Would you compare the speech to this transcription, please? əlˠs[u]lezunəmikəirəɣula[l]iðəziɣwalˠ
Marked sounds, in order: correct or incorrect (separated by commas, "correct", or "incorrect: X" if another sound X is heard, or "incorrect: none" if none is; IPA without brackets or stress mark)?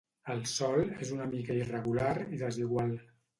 incorrect: ɔ, incorrect: ɾ